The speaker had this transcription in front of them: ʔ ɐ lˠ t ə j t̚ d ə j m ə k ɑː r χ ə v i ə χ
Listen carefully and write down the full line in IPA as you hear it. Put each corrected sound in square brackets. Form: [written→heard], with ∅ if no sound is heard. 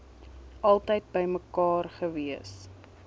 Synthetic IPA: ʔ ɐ lˠ t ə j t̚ [d→b] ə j m ə k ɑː r χ ə v i ə [χ→s]